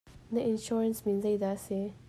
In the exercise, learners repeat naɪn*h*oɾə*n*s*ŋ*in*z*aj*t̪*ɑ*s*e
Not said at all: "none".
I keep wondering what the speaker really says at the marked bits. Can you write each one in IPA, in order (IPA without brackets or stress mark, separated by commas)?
ʃ, n, m, z, d̪, s